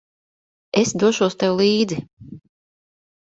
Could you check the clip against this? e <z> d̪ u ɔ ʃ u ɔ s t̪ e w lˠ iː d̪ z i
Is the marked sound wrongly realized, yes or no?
yes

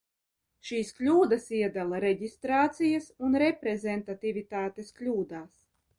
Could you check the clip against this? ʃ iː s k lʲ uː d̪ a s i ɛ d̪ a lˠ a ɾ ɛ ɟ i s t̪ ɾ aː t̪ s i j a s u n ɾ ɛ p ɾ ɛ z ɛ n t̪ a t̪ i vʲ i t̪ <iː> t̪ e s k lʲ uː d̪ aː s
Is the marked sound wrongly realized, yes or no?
yes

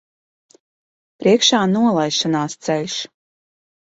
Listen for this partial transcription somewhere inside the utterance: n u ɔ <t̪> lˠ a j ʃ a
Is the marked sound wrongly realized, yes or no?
yes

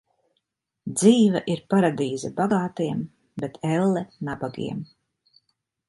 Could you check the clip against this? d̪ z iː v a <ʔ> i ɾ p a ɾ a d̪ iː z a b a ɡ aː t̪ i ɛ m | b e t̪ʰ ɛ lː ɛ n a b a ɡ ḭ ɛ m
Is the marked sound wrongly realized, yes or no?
no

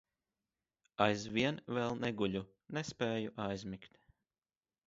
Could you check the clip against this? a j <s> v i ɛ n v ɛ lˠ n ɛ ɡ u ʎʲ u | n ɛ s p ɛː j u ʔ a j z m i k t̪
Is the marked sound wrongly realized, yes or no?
yes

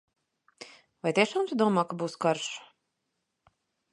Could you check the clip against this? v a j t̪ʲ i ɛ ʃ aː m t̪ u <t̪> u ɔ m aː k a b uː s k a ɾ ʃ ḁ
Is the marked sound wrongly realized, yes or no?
yes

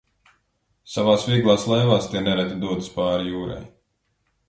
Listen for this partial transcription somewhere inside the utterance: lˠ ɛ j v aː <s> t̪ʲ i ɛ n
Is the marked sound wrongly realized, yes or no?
no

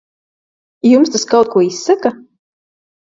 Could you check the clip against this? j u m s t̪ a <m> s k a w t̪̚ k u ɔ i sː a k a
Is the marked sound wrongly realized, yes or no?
yes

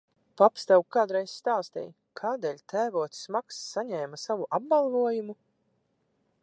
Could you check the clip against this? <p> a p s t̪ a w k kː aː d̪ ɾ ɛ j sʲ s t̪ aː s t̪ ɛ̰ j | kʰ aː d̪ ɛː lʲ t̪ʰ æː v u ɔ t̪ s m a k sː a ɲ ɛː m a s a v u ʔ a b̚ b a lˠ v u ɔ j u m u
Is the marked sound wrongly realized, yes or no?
no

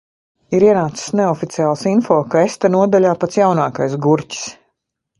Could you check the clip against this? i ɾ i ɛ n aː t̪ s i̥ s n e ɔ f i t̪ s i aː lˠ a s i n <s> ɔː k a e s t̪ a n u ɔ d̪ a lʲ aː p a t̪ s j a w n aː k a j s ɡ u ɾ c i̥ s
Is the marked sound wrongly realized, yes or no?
yes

